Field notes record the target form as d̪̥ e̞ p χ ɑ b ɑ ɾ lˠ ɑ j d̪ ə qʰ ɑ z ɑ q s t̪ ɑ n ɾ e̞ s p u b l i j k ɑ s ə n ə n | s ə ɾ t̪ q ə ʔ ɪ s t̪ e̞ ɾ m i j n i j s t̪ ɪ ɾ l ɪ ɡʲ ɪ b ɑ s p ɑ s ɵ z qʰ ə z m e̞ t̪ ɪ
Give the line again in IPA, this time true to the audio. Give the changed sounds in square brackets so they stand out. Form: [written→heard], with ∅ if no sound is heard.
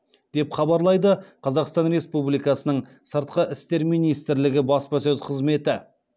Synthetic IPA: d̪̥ e̞ p χ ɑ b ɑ ɾ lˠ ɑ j d̪ ə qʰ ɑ z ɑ q s t̪ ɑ n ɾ e̞ s p u b l i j k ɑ s ə n ə [n→ɴ] | s ə ɾ t̪ q ə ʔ ɪ s t̪ e̞ ɾ m i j n i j s t̪ ɪ ɾ l ɪ ɡʲ ɪ b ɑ s p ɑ s ɵ z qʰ ə z m e̞ t̪ ɪ